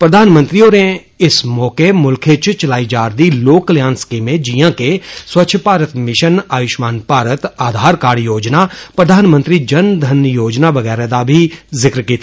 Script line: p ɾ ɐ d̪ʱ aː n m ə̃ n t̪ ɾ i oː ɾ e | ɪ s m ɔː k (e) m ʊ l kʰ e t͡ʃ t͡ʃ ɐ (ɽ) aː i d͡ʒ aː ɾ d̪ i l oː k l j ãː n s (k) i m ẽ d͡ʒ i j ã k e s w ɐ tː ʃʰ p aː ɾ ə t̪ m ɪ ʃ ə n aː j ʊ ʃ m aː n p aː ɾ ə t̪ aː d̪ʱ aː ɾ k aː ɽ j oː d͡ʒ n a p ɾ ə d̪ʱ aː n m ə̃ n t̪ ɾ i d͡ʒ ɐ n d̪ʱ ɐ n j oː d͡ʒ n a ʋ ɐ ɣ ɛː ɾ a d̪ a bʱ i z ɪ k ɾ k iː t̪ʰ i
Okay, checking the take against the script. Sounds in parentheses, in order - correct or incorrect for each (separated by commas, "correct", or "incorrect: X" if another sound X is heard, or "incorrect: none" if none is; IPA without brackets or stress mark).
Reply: correct, incorrect: l, correct